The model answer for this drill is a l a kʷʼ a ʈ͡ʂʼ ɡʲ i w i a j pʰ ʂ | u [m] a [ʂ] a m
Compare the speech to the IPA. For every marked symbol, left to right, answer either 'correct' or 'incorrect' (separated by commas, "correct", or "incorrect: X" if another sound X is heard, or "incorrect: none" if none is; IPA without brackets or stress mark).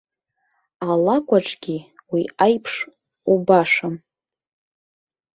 incorrect: b, correct